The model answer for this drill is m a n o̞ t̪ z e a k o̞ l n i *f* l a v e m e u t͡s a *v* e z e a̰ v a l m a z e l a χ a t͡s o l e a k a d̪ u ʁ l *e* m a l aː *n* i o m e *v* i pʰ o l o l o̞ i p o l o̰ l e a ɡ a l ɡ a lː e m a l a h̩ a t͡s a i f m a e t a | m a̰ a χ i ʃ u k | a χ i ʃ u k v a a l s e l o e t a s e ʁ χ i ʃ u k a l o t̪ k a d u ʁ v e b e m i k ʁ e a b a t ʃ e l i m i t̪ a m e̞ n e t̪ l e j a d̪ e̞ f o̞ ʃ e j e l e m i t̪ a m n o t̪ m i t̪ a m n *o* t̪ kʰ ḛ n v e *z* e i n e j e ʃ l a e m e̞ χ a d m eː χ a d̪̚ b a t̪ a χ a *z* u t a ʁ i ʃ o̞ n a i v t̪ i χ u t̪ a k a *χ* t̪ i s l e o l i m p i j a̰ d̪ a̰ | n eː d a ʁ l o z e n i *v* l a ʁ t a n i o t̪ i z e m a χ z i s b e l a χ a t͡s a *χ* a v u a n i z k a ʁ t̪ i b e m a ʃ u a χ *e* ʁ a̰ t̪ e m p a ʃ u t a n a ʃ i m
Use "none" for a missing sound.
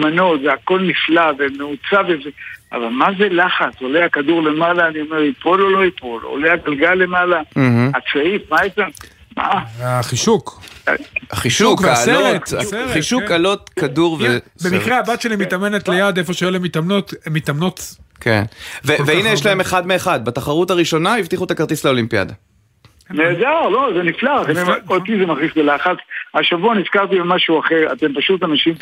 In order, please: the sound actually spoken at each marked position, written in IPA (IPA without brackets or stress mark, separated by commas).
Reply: f, v, e, n, ʁ, o, v, ʁ, ʁ, f, ʃ, e